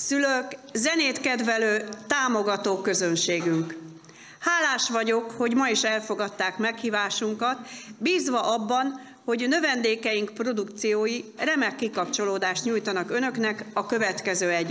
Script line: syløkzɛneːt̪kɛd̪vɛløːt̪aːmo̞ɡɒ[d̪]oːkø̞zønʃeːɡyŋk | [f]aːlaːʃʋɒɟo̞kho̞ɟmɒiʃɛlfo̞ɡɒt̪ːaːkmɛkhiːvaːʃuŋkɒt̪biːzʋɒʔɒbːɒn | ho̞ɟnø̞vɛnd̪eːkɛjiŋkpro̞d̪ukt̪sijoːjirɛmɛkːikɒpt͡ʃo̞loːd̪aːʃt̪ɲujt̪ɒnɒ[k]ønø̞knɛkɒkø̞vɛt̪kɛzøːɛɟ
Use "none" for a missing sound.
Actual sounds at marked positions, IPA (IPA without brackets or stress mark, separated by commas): t̪, h, k